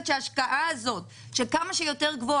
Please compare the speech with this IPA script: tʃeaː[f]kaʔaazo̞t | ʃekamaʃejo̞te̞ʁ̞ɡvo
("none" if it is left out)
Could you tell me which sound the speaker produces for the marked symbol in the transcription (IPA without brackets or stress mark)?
ʃ